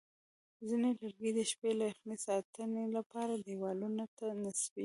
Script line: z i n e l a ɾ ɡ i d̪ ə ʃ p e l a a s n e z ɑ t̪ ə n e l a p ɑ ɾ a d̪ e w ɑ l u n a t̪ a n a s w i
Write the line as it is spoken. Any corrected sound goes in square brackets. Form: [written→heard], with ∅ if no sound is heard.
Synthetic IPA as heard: z i n e l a ɾ ɡ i d̪ ə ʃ p e l a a [s→x] n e [z→s] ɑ t̪ ə n e l a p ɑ ɾ a d̪ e w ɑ l u n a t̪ a n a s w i